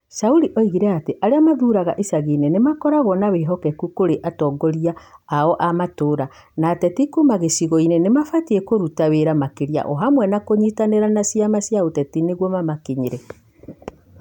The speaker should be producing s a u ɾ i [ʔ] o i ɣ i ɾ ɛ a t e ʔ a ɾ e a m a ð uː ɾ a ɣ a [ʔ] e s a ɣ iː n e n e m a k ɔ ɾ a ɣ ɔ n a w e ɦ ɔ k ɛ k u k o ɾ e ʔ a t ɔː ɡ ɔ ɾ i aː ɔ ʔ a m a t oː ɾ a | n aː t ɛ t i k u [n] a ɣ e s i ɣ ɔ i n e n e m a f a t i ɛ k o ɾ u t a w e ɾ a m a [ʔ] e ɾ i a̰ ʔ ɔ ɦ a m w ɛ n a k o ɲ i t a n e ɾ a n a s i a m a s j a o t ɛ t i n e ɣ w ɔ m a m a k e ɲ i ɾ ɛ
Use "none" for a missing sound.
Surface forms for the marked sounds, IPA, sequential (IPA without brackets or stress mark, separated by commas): ʔ, ʔ, m, k